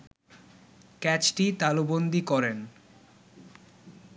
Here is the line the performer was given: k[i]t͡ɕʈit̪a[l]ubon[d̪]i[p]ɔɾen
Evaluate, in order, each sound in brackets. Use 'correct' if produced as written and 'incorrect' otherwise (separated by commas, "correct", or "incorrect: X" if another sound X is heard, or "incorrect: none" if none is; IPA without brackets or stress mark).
incorrect: ɛ, correct, correct, incorrect: k